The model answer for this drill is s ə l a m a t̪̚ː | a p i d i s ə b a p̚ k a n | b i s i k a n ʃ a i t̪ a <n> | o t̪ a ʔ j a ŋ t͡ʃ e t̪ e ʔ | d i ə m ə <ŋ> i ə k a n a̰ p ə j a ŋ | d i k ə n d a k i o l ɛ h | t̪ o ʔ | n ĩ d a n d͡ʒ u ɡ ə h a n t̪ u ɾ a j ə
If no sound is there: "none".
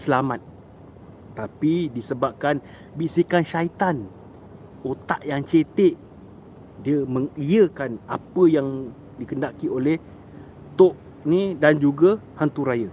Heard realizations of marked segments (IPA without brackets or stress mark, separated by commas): n, ŋ